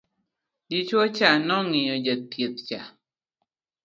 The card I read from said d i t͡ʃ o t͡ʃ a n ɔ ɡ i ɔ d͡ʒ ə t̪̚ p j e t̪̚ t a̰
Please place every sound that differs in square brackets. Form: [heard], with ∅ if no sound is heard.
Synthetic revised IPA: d i t͡ʃ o t͡ʃ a n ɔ [ŋ] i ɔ d͡ʒ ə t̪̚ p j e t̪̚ [t͡ʃ] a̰